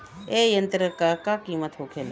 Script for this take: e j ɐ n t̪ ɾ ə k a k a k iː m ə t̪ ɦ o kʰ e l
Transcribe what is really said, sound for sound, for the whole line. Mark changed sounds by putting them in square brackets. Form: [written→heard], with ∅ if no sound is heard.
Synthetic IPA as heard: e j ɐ n t̪ ɾ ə k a k a k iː m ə t̪ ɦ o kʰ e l